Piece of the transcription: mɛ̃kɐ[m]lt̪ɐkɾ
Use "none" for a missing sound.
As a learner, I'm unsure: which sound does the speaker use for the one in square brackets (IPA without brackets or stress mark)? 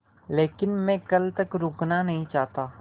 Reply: none